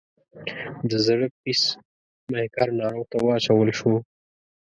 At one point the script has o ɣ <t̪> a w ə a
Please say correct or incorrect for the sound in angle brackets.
correct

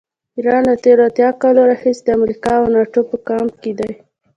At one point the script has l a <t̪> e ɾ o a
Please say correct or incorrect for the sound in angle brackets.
correct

